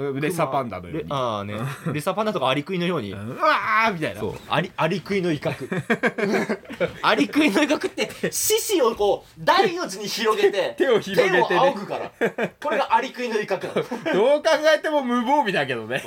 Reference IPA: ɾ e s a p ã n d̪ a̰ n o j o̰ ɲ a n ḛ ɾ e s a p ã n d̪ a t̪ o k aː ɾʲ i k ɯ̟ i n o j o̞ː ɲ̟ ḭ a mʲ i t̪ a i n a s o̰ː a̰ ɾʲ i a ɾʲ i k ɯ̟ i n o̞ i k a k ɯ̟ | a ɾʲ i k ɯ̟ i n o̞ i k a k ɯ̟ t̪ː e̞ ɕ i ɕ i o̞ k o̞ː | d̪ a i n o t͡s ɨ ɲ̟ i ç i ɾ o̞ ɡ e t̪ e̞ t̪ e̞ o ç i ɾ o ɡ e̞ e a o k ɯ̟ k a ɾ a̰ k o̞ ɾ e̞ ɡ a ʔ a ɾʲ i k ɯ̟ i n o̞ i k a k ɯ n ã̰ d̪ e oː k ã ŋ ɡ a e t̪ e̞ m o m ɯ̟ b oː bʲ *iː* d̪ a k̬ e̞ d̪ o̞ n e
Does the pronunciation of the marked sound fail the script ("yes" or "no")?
yes